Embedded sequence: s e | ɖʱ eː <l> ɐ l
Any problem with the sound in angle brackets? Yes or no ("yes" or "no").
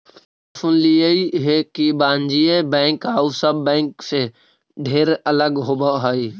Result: yes